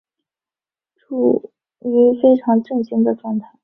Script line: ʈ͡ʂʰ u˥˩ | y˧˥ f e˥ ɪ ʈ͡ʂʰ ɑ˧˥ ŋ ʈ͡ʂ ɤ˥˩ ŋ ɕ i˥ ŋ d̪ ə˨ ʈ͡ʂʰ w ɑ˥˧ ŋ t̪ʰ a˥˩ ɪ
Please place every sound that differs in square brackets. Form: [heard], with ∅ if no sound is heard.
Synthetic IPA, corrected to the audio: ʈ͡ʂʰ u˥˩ | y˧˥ f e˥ ɪ ʈ͡ʂʰ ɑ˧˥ ŋ ʈ͡ʂ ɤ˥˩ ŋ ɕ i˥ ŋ d̪ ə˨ [ʈ͡ʂ] w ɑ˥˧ ŋ t̪ʰ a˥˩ ɪ